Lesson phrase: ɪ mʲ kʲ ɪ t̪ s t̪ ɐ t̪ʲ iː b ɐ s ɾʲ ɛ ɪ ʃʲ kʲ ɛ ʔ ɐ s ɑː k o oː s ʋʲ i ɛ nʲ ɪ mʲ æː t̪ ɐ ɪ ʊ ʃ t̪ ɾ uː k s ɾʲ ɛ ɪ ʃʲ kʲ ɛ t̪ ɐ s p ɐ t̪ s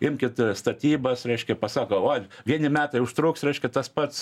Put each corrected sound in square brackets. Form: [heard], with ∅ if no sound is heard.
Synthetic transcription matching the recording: ɪ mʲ kʲ ɪ t̪ s t̪ ɐ t̪ʲ iː b ɐ s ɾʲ ɛ ɪ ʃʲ kʲ ɛ [p] ɐ s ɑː k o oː [∅] ʋʲ i ɛ nʲ ɪ mʲ æː t̪ ɐ ɪ ʊ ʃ t̪ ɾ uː k s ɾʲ ɛ ɪ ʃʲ kʲ ɛ t̪ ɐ s p ɐ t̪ s